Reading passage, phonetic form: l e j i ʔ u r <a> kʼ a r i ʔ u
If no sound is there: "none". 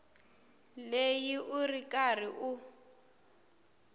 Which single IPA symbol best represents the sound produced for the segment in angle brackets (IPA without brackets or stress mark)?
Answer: i